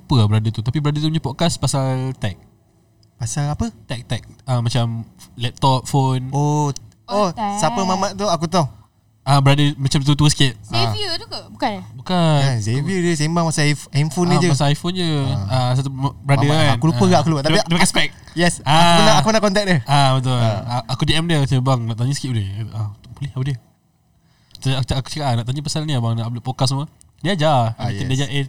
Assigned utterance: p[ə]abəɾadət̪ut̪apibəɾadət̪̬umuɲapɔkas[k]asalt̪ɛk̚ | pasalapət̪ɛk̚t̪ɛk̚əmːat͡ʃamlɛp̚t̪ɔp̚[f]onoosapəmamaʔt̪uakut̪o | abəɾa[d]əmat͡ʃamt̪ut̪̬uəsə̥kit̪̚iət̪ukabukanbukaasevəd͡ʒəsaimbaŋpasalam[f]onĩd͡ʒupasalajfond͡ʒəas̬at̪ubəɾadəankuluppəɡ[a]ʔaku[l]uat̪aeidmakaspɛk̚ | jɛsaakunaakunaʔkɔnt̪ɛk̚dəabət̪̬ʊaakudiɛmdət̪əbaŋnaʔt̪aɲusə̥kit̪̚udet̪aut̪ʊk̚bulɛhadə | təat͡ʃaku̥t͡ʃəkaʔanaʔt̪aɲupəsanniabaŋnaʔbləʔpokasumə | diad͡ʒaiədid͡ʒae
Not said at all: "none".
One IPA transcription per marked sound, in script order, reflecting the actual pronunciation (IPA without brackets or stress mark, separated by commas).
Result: ə, p, f, d, f, a, l